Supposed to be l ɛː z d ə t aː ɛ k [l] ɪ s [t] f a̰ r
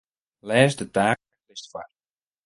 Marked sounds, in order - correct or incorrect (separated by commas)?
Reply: correct, correct